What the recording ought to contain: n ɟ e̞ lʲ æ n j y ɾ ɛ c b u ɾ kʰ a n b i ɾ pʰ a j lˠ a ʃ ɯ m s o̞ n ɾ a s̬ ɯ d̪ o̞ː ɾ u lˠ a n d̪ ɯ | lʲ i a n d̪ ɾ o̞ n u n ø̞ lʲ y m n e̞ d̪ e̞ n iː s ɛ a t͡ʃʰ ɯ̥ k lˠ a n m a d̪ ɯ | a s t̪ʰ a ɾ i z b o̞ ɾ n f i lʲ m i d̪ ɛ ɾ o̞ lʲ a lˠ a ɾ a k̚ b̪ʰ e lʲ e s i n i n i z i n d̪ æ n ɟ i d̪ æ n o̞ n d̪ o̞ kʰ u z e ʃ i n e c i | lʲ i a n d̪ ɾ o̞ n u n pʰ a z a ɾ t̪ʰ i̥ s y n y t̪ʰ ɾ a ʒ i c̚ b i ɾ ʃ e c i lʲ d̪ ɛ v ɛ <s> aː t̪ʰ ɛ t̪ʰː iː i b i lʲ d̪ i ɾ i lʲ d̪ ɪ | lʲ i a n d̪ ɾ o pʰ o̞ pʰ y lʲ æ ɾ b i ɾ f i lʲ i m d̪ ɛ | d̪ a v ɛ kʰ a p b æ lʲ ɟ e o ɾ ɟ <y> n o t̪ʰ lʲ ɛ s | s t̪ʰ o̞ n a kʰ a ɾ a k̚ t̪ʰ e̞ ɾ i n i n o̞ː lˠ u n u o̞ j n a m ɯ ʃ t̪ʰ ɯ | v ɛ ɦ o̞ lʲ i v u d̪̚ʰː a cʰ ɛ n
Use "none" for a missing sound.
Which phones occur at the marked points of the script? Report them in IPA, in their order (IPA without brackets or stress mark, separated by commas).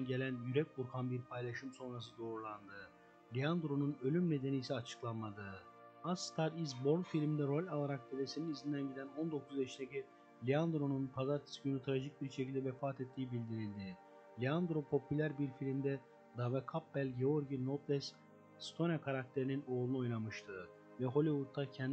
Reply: f, i